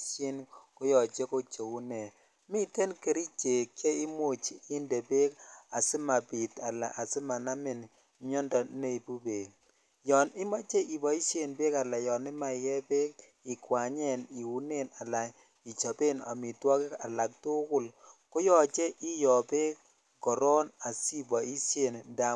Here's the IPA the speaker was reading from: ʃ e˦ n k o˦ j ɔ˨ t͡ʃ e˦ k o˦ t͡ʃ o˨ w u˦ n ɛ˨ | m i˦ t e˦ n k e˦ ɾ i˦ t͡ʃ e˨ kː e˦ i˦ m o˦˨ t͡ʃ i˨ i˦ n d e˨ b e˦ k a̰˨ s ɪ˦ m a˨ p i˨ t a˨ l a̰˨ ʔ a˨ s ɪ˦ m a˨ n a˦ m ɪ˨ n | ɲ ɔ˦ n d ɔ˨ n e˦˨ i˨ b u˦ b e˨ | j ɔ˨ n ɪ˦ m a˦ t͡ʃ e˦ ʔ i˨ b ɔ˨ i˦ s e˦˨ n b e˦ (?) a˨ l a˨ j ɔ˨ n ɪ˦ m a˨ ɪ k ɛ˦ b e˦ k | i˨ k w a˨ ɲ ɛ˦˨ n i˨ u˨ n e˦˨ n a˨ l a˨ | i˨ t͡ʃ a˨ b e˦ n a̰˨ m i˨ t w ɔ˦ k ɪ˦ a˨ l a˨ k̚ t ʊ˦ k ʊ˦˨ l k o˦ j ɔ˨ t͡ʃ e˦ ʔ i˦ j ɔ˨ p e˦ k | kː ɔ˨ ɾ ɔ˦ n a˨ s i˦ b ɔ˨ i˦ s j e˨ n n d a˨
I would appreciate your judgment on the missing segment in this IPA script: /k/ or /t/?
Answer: k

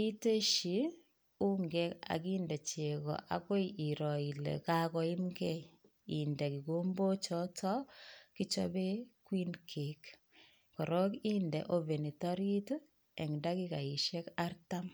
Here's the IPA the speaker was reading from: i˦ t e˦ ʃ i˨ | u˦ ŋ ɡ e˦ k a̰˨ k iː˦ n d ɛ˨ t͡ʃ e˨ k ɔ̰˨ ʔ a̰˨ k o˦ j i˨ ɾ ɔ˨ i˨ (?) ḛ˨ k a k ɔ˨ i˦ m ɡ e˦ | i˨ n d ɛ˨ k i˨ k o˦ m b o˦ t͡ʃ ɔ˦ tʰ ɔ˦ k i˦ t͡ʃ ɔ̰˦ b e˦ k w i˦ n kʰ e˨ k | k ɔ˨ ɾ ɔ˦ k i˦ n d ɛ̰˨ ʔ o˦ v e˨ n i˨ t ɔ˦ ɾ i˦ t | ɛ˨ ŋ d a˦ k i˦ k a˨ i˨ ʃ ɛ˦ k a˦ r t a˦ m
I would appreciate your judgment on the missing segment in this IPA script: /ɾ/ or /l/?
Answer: l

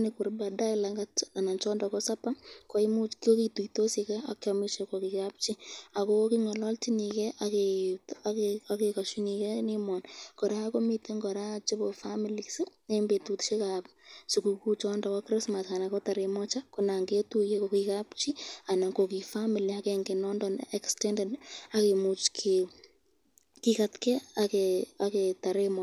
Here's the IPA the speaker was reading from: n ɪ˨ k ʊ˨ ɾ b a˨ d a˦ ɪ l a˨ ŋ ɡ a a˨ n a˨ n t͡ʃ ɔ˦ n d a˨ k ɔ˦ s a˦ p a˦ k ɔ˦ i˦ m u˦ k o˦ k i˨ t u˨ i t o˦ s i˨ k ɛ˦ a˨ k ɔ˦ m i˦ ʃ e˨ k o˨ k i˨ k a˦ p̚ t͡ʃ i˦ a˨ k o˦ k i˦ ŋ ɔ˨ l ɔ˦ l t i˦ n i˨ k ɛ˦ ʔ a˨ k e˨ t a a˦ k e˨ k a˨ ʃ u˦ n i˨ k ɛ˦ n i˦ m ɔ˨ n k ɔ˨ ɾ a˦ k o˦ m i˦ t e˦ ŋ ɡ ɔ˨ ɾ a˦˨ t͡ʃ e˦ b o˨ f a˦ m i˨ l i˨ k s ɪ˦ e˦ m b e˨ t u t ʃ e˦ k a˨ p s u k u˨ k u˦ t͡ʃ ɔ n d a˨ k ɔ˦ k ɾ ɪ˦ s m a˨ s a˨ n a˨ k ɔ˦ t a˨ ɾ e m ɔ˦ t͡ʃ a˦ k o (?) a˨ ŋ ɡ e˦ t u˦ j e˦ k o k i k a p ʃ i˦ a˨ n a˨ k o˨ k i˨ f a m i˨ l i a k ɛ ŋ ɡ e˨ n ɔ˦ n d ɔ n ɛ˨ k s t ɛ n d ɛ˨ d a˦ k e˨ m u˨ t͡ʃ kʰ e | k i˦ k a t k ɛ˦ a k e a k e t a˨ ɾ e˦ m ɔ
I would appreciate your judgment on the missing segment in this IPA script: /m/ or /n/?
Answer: n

